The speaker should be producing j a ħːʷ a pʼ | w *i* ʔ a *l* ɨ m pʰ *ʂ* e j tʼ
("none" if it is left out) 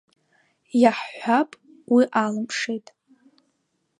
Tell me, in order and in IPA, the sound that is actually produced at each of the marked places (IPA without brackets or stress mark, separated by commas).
i, l, ʂ